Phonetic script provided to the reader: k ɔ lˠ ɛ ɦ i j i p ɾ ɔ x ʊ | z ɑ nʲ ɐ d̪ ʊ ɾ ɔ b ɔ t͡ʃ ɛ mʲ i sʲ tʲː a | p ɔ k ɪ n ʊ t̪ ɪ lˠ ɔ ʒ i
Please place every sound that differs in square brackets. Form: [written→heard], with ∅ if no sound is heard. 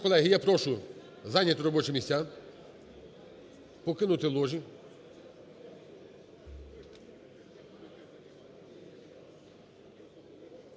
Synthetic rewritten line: k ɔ lˠ ɛ ɦ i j [i→a] p ɾ ɔ [x→ʃ] ʊ | z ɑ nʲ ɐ [d̪→t̪] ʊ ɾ ɔ b ɔ t͡ʃ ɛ mʲ i sʲ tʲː a | p ɔ k ɪ n ʊ t̪ ɪ lˠ ɔ ʒ i